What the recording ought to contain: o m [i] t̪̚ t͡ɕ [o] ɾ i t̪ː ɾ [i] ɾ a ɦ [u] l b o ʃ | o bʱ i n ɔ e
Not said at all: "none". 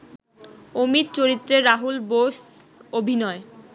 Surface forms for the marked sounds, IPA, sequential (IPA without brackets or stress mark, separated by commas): i, o, e, u